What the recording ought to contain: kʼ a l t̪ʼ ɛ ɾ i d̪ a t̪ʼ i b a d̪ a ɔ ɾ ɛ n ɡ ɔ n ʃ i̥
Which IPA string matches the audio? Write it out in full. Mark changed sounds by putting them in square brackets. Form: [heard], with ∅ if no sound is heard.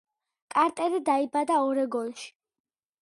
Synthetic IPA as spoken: kʼ a [ɾ] t̪ʼ ɛ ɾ i d̪ a [∅] i b a d̪ a ɔ ɾ ɛ [∅] ɡ ɔ n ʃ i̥